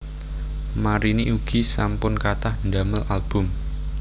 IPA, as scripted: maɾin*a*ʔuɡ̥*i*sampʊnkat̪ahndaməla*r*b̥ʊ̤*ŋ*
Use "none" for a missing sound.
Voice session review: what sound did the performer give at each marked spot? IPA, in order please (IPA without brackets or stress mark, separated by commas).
i, i, l, m